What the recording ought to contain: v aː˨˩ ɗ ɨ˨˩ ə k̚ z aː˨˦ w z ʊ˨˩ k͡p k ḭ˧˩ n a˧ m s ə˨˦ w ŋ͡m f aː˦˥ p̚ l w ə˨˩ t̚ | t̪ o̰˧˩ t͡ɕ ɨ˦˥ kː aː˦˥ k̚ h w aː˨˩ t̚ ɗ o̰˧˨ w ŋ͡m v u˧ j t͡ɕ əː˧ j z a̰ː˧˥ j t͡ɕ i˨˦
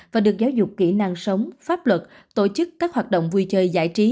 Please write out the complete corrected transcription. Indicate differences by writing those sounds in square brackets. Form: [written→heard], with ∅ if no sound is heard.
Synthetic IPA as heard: v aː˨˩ ɗ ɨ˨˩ ə k̚ z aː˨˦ w z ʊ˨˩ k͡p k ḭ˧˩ n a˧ [m→ŋ] s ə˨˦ w ŋ͡m f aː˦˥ p̚ l w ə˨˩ t̚ | t̪ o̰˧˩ t͡ɕ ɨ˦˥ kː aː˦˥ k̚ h w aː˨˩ t̚ ɗ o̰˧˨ w ŋ͡m v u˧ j t͡ɕ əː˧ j z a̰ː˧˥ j t͡ɕ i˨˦